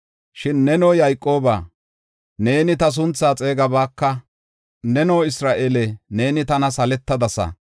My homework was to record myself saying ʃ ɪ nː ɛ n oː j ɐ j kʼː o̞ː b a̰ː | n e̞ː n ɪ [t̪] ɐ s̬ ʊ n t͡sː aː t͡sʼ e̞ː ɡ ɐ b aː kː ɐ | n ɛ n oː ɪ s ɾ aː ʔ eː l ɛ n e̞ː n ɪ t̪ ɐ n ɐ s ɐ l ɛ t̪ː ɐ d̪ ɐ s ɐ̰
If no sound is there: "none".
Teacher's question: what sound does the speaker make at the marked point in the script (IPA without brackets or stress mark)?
t̪